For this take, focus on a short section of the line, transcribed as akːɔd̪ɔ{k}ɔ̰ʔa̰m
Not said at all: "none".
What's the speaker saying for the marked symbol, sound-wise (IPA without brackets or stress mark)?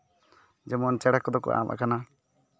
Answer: k